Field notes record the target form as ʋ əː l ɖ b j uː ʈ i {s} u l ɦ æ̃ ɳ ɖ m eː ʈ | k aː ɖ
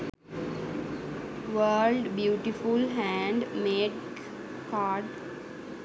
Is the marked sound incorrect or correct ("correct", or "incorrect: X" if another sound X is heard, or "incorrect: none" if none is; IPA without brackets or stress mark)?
incorrect: f